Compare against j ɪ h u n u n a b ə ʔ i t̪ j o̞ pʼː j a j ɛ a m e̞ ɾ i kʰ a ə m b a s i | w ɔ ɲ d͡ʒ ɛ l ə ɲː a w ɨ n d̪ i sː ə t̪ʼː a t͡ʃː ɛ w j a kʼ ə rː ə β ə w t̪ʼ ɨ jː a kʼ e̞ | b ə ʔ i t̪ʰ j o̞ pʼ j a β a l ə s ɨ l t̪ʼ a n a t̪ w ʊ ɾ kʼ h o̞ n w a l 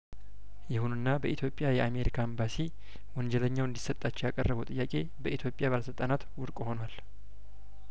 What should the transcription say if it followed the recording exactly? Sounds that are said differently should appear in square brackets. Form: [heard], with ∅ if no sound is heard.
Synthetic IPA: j ɪ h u n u [nː] a b ə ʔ i t̪ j o̞ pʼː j a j ɛ a m e̞ ɾ i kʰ a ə m b a s i | w ɔ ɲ d͡ʒ ɛ l ə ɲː a w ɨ n d̪ i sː ə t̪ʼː a t͡ʃː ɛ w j a kʼ ə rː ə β ə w t̪ʼ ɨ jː a kʼ e̞ | b ə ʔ i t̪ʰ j o̞ pʼ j a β a l ə s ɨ l t̪ʼ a n a t̪ w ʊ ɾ kʼ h o̞ n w a l